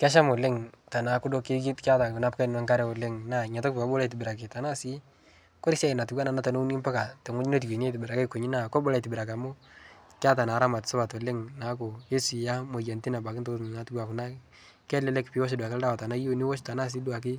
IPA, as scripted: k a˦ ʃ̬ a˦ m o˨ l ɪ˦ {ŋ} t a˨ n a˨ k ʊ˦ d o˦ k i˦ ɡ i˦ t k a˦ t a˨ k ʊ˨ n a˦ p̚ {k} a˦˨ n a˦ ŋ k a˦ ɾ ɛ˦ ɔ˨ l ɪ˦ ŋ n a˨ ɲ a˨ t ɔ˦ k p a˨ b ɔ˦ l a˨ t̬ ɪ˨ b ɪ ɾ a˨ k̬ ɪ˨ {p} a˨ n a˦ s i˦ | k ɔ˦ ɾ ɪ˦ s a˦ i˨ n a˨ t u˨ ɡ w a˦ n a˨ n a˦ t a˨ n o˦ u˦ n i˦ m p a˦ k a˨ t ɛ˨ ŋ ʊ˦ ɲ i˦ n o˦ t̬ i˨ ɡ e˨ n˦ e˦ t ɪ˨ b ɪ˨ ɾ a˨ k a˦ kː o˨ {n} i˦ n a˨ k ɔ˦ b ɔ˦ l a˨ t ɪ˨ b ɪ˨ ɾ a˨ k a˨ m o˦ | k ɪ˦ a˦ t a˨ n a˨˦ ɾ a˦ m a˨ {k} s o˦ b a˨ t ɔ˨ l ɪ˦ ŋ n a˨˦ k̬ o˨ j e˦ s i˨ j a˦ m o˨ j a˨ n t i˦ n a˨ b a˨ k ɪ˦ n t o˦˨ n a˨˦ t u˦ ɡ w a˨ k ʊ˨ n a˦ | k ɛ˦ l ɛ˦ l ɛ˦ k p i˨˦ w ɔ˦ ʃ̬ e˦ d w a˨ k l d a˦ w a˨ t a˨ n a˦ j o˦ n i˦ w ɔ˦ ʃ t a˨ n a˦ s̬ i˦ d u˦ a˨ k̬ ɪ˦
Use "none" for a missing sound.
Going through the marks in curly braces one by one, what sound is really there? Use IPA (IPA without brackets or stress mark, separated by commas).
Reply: ŋ, k, t, ɲ, t